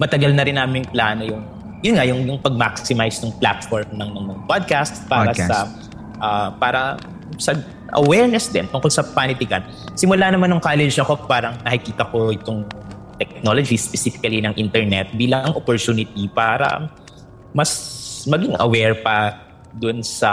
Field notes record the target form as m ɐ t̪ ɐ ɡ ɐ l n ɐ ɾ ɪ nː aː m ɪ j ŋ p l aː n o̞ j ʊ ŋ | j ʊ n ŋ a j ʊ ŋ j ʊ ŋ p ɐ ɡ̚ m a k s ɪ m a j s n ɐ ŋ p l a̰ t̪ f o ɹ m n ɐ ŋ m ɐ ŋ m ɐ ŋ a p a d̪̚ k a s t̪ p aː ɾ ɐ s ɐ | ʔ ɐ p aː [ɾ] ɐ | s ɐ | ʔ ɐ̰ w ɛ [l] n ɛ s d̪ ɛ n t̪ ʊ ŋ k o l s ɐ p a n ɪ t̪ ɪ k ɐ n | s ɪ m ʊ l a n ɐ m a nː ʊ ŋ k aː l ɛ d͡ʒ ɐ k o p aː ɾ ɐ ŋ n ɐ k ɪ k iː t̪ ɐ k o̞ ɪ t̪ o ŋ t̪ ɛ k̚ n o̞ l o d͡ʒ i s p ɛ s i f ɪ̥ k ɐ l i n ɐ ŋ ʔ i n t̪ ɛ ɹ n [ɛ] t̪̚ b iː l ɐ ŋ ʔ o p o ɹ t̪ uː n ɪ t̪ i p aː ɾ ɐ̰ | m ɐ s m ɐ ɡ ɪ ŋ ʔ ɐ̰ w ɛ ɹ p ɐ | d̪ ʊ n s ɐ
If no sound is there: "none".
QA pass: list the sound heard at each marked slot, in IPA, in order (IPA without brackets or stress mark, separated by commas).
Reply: ɾ, ɹ, ɛ